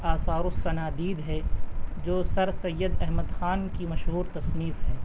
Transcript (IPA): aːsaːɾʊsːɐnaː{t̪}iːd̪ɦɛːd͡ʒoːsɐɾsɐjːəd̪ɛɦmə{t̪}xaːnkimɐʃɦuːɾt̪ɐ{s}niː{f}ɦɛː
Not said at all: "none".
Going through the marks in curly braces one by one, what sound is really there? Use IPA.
d̪, d̪, s, f

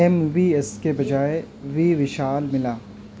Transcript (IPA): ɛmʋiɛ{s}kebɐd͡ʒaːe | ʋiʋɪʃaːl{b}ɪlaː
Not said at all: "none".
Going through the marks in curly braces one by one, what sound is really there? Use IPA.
s, m

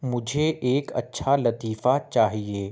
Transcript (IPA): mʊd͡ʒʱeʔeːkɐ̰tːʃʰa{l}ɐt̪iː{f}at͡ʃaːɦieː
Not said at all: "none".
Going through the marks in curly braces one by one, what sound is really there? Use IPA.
l, f

